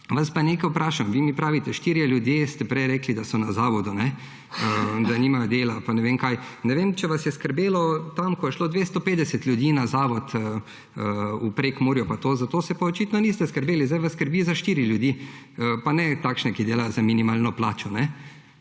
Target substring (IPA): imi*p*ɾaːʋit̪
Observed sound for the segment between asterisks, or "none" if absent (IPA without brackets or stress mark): p